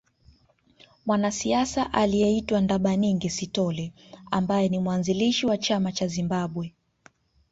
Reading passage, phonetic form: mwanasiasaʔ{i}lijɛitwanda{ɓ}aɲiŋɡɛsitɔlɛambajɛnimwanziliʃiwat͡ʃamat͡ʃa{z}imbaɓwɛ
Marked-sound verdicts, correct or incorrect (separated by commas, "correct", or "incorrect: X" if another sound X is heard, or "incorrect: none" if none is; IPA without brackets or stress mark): incorrect: a, correct, correct